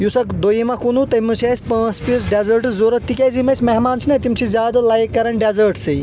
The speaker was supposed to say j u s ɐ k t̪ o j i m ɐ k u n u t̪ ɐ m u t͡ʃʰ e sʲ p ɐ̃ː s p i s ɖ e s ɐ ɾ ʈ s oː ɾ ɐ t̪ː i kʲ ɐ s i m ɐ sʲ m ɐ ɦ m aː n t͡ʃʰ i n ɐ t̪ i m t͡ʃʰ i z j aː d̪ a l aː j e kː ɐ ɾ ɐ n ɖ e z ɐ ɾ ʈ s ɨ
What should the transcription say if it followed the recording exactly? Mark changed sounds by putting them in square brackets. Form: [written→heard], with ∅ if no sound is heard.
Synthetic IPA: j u s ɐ k [t̪→d̪] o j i m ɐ k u n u t̪ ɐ m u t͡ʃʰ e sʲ p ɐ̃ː s p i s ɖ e [s→z] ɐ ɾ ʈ [s→z] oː ɾ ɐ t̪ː i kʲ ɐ [s→z] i m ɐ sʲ m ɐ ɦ m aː n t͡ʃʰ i n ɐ t̪ i m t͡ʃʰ i z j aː d̪ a l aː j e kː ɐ ɾ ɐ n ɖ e z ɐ ɾ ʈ s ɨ